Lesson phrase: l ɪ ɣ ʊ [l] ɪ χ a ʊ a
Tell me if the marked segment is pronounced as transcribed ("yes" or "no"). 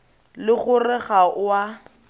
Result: no